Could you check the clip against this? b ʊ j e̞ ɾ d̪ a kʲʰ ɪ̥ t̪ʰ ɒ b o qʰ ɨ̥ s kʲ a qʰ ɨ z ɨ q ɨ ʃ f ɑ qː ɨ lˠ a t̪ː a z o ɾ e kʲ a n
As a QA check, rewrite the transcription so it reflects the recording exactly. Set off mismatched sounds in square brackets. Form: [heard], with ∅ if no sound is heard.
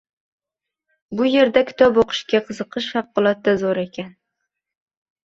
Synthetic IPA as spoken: b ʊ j e̞ ɾ d̪ a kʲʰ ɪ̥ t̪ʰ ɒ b o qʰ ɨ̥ [ʃ] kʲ a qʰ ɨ z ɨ q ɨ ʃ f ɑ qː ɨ lˠ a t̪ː a z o ɾ e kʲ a n